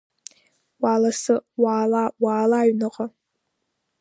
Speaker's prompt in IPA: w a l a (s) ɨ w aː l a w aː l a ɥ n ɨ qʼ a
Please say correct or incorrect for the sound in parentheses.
correct